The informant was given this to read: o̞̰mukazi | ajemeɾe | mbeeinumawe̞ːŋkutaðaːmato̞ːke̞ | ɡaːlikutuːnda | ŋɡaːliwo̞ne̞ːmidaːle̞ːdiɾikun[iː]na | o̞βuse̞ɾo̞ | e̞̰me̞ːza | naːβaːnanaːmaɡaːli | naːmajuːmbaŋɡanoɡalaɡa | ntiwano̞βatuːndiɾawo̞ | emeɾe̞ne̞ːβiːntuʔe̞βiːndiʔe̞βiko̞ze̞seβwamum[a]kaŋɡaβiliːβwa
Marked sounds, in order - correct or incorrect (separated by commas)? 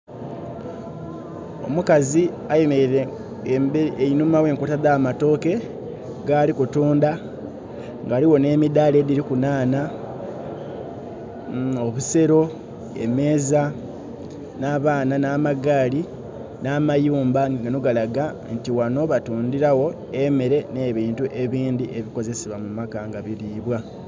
incorrect, correct